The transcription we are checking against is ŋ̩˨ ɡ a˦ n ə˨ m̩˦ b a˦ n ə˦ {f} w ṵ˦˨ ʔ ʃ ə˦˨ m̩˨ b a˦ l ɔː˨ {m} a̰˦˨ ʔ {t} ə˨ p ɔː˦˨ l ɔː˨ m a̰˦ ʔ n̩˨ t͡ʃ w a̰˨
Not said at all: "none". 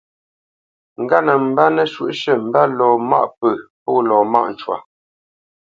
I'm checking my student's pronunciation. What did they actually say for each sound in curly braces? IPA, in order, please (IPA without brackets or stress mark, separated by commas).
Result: ʃ, m, p